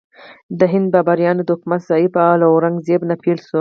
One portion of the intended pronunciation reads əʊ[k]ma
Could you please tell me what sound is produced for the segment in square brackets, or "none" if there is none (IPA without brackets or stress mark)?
k